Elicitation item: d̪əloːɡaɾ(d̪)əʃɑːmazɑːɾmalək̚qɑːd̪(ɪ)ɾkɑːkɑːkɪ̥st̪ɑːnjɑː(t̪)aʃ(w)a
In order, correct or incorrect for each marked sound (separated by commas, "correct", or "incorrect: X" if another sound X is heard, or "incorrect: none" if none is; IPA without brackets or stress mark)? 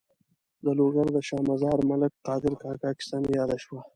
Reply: correct, correct, incorrect: d̪, correct